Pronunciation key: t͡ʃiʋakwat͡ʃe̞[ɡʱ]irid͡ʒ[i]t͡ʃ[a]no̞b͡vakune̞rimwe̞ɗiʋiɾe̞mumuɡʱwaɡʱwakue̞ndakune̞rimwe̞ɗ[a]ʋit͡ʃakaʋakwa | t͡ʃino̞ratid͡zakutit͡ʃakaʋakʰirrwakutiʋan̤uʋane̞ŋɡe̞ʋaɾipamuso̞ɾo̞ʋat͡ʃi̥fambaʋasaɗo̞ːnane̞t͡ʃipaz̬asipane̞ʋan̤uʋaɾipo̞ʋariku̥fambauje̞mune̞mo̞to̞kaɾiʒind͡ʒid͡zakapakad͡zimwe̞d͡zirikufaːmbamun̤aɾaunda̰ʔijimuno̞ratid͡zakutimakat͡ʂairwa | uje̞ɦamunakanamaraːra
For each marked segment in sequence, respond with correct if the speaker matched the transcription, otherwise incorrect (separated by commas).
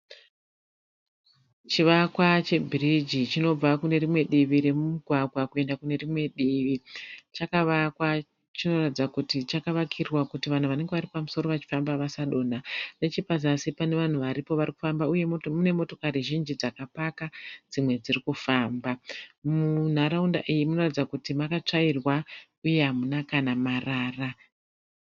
incorrect, correct, incorrect, incorrect